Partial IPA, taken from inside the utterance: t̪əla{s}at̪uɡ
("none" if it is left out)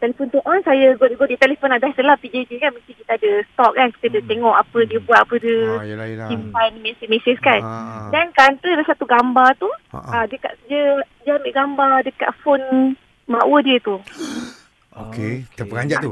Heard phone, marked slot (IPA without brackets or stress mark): s